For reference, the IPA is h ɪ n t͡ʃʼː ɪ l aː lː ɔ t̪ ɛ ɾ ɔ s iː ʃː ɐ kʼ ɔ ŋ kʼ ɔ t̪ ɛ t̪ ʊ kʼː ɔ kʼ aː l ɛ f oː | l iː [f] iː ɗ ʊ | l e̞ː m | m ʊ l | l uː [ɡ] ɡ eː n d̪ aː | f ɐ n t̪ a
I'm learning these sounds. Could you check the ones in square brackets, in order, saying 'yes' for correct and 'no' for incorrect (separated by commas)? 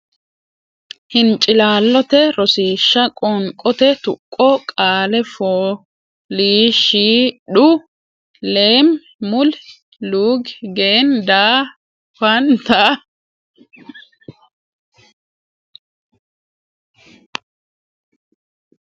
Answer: no, yes